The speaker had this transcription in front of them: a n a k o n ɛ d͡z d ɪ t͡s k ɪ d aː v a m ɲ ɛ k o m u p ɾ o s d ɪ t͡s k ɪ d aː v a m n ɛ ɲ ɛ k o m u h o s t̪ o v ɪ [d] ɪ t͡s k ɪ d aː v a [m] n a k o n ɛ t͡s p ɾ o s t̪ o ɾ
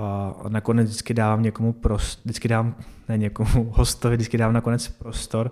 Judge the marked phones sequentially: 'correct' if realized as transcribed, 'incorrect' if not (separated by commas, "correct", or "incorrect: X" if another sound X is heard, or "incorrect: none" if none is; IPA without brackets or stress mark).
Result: correct, correct